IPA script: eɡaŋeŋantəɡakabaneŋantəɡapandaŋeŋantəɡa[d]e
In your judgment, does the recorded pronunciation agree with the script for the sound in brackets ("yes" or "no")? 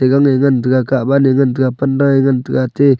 no